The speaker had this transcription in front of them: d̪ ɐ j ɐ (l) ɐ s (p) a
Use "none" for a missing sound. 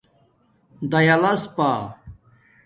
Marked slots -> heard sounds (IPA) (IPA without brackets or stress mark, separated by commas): l, p